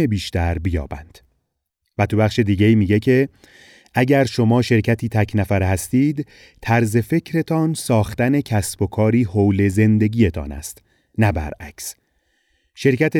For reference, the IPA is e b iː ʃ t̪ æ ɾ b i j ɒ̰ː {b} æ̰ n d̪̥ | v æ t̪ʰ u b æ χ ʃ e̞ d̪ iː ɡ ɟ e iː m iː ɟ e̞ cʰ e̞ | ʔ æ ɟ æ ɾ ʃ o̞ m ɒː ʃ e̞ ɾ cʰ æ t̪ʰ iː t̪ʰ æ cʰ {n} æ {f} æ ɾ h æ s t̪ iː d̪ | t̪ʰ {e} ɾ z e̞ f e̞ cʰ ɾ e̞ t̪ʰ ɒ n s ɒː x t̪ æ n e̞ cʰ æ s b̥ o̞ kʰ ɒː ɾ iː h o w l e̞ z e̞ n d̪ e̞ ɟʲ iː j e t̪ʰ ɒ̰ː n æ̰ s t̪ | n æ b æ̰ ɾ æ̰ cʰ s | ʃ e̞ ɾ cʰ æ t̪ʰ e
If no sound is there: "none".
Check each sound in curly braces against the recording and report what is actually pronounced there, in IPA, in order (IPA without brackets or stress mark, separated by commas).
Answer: b, n, f, æ